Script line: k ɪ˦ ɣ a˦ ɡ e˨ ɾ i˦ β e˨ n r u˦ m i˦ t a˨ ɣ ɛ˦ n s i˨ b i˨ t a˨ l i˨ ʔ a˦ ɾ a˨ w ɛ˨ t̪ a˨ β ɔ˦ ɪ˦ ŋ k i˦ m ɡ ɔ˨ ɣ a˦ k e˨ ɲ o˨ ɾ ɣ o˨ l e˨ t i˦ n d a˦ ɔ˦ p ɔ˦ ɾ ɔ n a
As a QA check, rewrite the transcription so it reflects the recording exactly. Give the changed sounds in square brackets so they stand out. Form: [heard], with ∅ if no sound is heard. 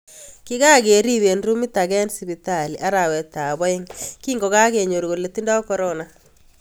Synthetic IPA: k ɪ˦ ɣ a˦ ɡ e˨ ɾ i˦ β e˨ n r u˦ m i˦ t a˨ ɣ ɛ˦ n s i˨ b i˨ t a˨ l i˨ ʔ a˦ ɾ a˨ w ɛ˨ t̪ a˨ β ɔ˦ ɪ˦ ŋ k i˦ [ŋ] ɡ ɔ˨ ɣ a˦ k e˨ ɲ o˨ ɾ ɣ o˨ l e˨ t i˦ n d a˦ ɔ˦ [k] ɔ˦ ɾ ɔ n a